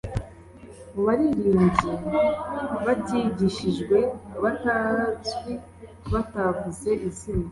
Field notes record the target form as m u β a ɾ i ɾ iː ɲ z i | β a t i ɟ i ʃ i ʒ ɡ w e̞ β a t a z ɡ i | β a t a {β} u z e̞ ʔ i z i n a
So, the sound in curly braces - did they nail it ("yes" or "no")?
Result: no